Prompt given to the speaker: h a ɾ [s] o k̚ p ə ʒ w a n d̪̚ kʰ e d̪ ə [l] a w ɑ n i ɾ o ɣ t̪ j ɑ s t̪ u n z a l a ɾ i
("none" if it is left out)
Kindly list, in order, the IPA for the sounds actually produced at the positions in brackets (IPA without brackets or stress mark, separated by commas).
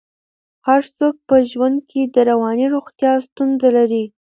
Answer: s, ɾ